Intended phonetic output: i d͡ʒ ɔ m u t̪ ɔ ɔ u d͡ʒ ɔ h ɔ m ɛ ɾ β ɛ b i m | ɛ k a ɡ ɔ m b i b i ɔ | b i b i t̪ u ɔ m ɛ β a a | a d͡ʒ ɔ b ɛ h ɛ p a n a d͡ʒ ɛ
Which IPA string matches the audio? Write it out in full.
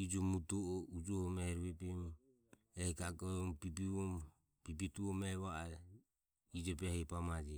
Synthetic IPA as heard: i d͡ʒ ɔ m u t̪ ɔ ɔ u d͡ʒ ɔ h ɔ m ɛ ɾ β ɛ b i m | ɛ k a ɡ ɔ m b i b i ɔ | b i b i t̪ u ɔ m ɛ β a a | i d͡ʒ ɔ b ɛ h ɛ p a m a d͡ʒ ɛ